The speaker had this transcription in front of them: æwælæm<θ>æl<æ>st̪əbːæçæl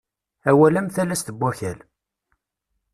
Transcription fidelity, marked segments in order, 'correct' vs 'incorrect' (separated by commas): correct, correct